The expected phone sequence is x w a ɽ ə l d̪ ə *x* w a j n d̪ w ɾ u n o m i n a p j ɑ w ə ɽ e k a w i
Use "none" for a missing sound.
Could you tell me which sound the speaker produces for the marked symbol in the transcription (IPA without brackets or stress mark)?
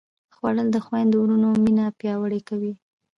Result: x